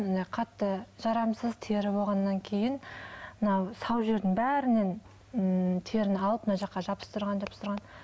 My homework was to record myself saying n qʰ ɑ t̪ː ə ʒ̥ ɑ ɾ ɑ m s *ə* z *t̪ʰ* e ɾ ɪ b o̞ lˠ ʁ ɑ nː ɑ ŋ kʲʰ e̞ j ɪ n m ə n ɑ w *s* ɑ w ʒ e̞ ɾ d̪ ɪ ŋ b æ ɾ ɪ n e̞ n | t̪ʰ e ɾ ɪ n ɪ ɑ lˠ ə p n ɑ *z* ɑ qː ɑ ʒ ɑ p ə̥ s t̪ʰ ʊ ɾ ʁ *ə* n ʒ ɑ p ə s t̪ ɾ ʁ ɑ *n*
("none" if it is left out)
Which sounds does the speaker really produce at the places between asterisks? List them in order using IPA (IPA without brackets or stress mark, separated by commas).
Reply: ə, t̪ʰ, s, ʒ, ɑ, n